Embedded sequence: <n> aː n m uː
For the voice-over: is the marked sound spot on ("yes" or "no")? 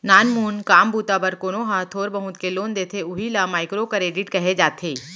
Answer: yes